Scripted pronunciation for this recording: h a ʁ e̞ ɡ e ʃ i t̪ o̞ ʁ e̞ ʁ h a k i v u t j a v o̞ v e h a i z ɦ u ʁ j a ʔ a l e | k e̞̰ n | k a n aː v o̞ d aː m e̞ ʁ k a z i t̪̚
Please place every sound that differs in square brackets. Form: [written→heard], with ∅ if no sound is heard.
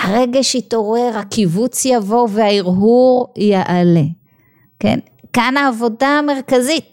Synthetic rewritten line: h a ʁ e̞ ɡ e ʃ i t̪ o̞ ʁ e̞ ʁ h a k i v u [t→t͡s] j a v o̞ v e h a i [z→ʁ] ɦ u ʁ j a ʔ a l e | k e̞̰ n | k a n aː v o̞ d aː m e̞ ʁ k a z i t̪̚